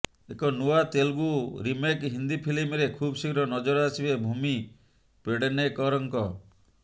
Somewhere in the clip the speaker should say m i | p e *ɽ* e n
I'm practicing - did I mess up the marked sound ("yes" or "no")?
no